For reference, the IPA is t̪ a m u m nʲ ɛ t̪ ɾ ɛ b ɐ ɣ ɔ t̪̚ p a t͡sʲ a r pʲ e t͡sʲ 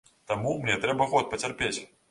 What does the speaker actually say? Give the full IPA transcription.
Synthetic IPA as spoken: t̪ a m u m nʲ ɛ t̪ ɾ ɛ b ɐ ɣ ɔ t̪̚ p ɐ t͡sʲ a r pʲ e t͡sʲ